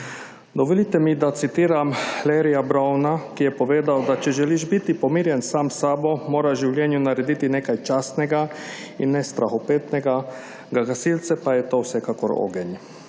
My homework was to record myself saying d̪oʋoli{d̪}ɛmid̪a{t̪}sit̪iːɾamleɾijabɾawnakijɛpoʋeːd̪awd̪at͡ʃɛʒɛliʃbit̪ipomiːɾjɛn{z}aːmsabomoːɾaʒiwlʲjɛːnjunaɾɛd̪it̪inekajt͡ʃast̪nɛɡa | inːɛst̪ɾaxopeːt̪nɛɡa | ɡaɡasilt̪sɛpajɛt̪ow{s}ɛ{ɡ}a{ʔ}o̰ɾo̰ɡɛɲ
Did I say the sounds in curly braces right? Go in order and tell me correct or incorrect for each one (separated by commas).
incorrect, correct, incorrect, correct, incorrect, incorrect